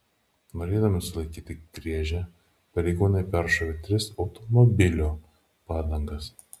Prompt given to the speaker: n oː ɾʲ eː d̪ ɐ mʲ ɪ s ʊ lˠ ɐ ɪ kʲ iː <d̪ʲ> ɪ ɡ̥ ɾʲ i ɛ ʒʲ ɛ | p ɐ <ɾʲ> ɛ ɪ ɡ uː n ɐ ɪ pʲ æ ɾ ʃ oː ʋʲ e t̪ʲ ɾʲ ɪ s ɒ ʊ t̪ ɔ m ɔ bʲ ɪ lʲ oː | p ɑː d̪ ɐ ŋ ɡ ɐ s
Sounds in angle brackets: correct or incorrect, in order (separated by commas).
incorrect, correct